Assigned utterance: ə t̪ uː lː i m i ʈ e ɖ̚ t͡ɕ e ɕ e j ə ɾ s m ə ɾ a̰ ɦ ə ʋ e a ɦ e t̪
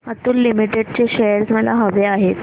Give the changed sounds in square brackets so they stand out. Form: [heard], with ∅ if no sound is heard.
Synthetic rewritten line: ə t̪ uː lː i m i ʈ e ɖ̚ t͡ɕ e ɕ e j ə ɾ s m ə [l] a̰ ɦ ə ʋ e a ɦ e t̪